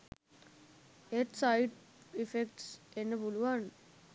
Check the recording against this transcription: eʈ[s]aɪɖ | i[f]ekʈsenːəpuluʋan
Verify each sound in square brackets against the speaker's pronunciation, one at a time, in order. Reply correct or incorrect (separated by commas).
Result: correct, correct